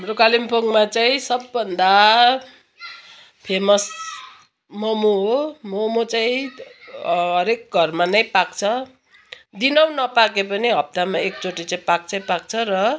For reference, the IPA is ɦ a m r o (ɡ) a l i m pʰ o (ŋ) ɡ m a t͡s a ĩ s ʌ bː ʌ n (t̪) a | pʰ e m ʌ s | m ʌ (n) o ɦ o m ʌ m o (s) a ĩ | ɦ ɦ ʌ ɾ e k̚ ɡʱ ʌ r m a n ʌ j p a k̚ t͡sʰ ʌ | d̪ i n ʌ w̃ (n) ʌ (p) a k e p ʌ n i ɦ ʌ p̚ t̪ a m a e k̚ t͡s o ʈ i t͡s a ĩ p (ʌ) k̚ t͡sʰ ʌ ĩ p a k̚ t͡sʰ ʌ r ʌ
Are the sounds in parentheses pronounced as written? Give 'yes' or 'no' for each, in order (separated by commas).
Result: no, yes, no, no, no, yes, yes, no